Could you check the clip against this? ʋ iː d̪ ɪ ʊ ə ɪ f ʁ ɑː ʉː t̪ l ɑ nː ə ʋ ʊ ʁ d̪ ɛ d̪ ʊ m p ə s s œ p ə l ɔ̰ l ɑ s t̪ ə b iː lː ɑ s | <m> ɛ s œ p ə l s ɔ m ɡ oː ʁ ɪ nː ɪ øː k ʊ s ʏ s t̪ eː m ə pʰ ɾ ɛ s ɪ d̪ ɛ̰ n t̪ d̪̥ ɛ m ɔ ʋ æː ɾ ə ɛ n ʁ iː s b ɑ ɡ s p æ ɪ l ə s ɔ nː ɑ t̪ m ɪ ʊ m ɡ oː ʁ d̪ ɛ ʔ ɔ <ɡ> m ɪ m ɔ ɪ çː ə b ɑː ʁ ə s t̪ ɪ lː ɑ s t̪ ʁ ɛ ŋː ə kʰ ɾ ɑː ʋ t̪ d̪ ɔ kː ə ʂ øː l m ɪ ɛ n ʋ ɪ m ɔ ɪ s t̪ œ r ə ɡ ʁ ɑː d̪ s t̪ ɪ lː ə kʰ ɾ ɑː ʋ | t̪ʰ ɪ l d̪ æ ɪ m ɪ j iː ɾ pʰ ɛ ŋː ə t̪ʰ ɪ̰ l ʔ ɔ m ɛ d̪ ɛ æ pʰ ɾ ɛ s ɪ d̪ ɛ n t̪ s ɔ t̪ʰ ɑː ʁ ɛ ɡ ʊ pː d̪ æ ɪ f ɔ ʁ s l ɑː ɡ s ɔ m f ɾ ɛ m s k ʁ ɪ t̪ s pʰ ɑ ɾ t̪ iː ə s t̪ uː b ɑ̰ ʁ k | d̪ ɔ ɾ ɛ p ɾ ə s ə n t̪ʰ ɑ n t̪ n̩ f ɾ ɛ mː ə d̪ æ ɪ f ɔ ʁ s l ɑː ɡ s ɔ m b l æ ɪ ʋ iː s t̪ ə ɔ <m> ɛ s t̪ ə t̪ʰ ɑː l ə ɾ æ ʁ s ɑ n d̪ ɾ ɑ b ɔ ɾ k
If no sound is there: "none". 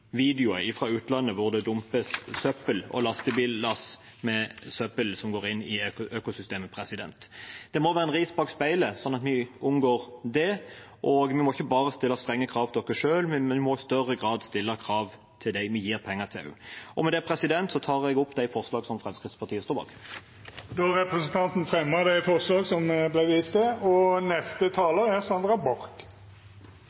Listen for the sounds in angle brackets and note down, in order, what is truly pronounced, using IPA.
m, ɡ, n

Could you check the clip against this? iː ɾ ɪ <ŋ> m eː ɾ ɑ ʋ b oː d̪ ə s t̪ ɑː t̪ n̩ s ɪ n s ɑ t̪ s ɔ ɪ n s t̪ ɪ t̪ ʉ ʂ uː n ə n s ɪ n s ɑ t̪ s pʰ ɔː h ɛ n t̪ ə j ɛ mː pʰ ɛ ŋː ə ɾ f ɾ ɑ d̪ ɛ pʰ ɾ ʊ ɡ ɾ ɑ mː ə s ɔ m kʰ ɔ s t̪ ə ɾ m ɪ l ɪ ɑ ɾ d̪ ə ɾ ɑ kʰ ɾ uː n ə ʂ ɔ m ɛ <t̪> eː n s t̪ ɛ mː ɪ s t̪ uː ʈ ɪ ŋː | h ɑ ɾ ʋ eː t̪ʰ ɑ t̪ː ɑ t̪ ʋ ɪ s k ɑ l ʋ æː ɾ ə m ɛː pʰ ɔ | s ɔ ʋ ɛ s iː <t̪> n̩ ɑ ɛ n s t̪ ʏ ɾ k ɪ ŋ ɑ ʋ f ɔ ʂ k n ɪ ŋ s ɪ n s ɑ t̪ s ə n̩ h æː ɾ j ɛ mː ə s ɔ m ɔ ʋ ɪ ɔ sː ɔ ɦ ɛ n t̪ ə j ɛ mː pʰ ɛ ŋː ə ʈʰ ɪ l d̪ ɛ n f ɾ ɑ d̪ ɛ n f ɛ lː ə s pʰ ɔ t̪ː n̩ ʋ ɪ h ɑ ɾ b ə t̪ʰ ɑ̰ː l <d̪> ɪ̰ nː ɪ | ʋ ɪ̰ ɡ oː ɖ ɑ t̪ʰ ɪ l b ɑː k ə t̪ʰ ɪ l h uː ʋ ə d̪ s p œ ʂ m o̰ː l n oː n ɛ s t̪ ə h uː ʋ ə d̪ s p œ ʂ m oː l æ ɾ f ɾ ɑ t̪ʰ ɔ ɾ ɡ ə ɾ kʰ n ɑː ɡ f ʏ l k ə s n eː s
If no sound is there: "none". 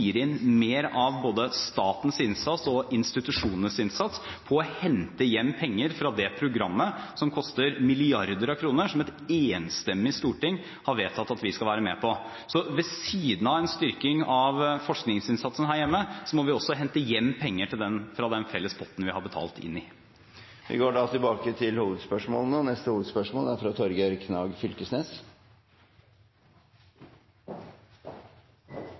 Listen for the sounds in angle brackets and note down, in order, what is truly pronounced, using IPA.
n, t̪, d̪, t̪

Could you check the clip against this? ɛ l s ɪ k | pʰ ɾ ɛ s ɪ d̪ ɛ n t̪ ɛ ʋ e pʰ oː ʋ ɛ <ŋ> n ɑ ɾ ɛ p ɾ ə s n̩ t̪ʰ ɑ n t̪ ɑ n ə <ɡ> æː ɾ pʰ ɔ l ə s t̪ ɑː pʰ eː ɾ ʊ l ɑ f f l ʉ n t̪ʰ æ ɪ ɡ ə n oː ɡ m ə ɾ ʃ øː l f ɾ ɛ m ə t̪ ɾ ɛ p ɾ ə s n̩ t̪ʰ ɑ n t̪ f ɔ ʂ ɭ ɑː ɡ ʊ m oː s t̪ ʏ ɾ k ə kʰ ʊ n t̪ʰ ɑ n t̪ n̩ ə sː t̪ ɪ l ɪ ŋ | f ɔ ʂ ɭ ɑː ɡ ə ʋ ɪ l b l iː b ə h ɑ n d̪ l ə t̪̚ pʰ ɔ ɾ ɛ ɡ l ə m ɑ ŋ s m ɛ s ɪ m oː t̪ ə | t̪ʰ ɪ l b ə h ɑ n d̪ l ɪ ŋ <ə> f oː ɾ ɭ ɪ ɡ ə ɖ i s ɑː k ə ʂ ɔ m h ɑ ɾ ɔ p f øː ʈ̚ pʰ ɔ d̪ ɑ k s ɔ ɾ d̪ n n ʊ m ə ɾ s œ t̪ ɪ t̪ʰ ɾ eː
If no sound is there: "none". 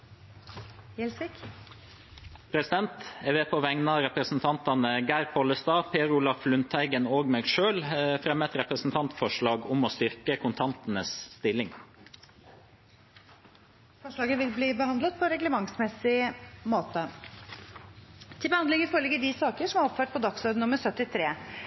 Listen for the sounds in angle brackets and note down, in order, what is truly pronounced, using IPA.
ŋ, ɡ, ə

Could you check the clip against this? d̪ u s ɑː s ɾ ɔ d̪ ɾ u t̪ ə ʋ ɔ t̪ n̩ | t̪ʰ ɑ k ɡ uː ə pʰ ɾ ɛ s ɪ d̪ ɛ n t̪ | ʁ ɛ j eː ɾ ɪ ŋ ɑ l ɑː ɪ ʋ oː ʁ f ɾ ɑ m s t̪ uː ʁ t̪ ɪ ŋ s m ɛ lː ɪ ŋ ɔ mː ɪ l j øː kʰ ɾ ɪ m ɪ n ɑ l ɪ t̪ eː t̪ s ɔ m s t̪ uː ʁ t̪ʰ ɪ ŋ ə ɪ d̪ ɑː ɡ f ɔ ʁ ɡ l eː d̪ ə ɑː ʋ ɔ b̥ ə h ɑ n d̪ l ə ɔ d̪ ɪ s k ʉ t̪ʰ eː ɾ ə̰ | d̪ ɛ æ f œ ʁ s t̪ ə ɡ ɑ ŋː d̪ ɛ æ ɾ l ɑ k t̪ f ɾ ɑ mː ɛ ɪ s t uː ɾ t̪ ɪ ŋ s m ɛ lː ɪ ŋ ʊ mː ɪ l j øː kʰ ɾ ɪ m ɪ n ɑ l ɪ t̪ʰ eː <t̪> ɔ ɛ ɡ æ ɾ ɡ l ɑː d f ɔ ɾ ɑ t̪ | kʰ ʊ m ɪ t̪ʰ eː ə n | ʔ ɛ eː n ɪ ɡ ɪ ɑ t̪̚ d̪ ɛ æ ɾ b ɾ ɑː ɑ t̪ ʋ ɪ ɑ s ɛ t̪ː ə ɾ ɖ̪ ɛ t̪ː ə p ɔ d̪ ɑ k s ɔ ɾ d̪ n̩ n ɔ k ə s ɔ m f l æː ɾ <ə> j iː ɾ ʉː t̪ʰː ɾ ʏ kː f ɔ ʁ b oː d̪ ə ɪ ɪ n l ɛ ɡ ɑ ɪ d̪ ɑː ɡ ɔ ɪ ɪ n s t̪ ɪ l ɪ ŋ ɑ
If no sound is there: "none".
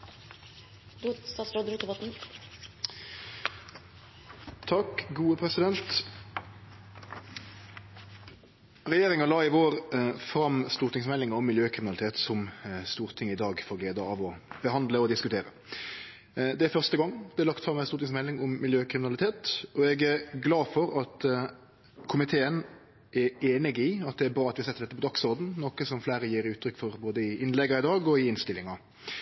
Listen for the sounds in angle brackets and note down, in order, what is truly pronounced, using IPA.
t̪, ə

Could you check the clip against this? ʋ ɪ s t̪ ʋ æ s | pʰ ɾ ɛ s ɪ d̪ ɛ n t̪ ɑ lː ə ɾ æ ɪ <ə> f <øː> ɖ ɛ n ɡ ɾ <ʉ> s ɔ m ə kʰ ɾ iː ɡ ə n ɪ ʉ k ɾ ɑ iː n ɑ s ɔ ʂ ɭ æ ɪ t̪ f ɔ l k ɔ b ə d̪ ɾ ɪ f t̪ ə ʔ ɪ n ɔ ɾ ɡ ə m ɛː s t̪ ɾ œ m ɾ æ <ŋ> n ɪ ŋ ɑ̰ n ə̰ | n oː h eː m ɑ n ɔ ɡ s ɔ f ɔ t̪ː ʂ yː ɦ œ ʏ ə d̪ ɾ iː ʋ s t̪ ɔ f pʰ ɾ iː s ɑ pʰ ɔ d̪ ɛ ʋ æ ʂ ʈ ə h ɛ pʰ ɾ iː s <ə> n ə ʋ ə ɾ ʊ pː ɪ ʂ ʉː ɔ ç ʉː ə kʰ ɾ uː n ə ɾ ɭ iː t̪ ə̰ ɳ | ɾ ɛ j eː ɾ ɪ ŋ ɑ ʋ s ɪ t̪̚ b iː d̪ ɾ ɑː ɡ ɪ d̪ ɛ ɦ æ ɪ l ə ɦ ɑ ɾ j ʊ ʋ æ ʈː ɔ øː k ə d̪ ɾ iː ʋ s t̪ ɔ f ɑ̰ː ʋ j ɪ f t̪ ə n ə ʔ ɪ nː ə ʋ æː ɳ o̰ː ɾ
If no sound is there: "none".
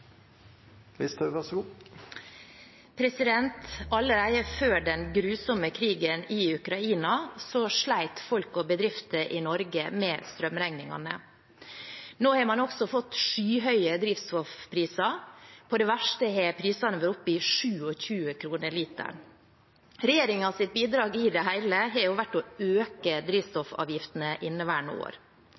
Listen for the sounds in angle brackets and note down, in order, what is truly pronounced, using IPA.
ə, øː, ʉː, ŋ, ɑ

